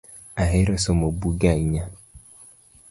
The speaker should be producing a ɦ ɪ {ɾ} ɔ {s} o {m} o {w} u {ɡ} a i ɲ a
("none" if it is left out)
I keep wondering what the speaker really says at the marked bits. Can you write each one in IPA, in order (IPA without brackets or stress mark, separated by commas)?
ɾ, s, m, b, ɡ